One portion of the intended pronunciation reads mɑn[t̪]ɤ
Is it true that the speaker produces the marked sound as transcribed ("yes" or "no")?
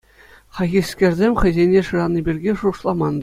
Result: no